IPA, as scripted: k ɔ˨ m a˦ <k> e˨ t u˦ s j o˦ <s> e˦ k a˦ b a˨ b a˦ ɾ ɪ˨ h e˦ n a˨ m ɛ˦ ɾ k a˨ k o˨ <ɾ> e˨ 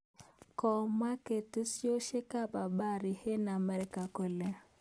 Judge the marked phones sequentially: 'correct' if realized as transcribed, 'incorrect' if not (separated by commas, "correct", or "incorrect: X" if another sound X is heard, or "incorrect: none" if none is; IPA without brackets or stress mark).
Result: correct, incorrect: ʃ, incorrect: l